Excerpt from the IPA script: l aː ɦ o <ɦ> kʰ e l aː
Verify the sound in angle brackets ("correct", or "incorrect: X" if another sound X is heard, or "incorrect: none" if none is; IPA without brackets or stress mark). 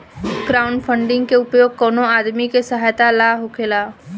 incorrect: none